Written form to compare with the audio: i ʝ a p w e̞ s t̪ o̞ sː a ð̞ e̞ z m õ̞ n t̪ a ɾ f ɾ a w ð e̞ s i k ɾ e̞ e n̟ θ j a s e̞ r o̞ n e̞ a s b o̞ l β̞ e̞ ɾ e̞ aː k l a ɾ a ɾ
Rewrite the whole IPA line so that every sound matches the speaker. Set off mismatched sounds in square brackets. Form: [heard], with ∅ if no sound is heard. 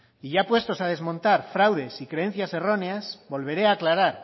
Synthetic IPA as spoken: i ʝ a p w e̞ s t̪ o̞ [s] a ð̞ e̞ z m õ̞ n t̪ a ɾ f ɾ a w ð e̞ s i k ɾ e̞ e n̟ θ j a s e̞ r o̞ n e̞ a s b o̞ l β̞ e̞ ɾ e̞ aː k l a ɾ a ɾ